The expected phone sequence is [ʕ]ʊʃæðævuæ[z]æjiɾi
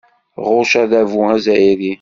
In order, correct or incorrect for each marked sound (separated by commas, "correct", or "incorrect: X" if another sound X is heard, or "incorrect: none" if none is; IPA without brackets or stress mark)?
incorrect: ʁ, correct